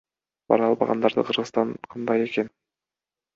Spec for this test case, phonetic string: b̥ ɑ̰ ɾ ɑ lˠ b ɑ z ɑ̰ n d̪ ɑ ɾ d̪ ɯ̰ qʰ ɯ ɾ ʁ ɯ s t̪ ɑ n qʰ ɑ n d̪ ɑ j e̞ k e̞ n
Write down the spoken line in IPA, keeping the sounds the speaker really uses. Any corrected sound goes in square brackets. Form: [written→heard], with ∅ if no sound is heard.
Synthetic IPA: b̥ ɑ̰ ɾ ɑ lˠ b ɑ [z→ʁ] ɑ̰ n d̪ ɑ ɾ d̪ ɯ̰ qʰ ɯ ɾ ʁ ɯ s t̪ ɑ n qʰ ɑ n d̪ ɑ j e̞ k e̞ n